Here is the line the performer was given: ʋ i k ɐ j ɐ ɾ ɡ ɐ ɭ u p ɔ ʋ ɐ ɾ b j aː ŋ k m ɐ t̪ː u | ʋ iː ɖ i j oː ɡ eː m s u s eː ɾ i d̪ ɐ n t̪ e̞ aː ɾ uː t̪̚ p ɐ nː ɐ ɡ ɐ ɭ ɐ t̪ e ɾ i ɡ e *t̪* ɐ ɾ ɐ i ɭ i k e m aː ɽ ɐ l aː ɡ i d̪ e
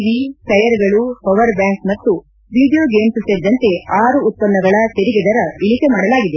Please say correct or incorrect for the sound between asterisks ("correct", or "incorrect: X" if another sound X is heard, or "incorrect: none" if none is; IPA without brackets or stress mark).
incorrect: d̪